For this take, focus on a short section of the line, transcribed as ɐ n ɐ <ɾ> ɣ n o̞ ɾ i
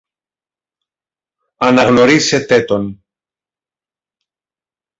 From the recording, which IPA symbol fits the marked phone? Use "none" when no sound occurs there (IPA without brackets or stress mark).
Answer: none